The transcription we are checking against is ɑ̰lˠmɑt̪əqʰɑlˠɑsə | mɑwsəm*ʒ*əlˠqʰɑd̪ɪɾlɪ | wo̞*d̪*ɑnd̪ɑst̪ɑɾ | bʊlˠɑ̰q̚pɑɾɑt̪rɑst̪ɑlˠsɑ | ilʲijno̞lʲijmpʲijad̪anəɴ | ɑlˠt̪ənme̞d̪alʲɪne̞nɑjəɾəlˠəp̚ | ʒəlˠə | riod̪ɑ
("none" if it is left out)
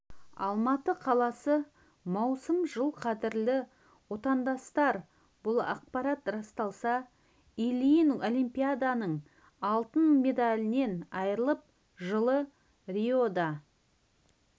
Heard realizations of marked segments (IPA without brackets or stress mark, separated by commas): ʒ, t̪